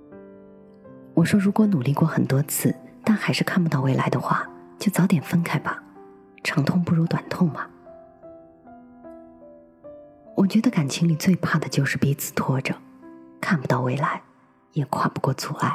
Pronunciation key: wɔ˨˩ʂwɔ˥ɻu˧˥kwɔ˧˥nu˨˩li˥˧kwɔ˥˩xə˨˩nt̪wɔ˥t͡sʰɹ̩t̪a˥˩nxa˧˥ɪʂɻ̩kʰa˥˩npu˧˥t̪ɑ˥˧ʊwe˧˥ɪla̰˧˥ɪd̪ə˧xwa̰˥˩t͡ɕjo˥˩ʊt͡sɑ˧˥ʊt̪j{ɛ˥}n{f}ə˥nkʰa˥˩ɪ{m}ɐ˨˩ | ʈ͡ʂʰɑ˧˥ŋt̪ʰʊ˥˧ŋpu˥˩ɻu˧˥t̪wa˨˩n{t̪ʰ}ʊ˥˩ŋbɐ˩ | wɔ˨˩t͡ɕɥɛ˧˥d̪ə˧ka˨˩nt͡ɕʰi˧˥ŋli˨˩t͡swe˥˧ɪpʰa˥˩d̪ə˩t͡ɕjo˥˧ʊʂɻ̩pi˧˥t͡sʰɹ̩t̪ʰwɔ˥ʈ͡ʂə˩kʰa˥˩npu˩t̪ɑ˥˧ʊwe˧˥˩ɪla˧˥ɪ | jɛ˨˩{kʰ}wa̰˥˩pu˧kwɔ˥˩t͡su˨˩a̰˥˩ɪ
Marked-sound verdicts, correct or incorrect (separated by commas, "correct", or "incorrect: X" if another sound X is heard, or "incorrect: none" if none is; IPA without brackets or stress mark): incorrect: ɛ˨˩, correct, incorrect: b, correct, correct